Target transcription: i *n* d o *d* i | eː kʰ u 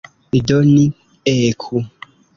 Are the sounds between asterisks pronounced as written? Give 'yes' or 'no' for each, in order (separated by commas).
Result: no, no